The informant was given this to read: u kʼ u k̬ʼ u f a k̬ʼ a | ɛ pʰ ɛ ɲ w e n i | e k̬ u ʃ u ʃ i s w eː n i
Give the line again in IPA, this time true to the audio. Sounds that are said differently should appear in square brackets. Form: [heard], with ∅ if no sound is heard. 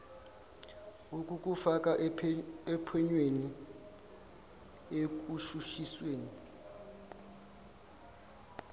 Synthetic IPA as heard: u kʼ u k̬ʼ u f a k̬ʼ a | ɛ pʰ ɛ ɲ w e n i | e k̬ u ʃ u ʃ i s w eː n i